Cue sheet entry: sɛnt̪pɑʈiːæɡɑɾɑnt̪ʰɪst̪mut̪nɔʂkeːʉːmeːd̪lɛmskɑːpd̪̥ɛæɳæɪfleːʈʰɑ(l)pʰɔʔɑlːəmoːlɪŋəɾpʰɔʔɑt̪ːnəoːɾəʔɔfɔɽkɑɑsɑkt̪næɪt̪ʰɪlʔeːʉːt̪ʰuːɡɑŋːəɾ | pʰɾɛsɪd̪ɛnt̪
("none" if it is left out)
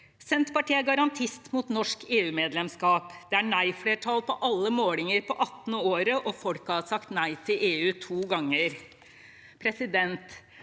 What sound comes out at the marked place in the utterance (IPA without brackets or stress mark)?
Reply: l